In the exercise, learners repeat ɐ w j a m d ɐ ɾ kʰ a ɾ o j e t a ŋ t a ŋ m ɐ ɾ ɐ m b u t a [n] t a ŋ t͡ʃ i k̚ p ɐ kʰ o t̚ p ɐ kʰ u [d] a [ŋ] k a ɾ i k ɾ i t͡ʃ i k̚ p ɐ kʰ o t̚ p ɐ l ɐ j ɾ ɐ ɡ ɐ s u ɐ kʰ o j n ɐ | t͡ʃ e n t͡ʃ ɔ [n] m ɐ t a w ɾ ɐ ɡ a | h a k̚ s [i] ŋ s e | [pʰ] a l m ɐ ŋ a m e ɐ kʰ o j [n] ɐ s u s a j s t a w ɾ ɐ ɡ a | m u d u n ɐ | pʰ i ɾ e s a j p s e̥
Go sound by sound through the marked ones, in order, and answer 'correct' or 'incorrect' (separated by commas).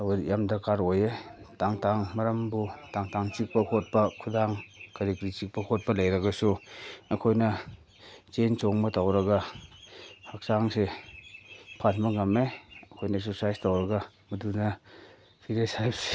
incorrect, correct, correct, incorrect, incorrect, correct, correct